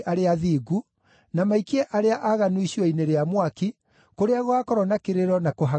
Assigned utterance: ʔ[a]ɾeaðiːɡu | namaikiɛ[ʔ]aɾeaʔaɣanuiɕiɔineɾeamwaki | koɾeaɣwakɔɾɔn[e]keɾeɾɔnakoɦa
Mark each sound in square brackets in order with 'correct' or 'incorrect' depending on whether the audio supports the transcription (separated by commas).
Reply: correct, correct, incorrect